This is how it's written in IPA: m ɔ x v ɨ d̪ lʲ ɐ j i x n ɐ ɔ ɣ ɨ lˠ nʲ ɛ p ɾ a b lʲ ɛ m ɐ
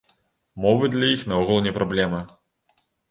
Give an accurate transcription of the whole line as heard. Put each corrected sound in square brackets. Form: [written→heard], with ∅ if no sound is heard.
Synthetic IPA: m ɔ [x→∅] v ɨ d̪ lʲ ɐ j i x n ɐ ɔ ɣ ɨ lˠ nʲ ɛ p ɾ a b lʲ ɛ m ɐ